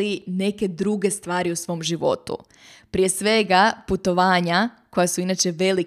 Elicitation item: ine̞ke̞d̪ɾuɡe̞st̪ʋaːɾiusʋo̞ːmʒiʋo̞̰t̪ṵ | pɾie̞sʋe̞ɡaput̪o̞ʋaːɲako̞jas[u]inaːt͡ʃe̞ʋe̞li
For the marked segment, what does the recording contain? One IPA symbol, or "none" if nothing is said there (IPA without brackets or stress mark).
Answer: u